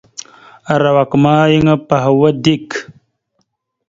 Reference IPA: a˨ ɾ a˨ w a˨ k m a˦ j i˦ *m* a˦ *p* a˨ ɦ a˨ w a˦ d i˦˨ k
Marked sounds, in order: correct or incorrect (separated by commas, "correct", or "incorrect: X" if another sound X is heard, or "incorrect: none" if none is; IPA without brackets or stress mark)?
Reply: incorrect: ŋ, correct